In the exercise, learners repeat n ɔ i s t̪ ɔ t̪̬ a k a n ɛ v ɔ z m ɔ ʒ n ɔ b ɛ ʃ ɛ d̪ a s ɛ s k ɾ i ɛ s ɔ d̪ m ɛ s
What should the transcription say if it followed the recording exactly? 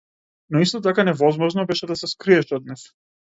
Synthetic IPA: n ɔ i s t̪ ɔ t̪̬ a k a n ɛ v ɔ z m ɔ ʒ n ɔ b ɛ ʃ ɛ d̪ a s ɛ s k ɾ i ɛ ʃ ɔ d̪ n ɛ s